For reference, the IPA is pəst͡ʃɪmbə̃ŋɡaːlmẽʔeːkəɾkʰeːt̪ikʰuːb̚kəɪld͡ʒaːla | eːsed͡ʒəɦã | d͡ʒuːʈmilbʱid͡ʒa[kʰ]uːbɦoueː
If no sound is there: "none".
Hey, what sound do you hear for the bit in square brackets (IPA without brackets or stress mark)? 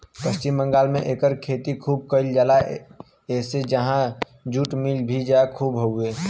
kʰ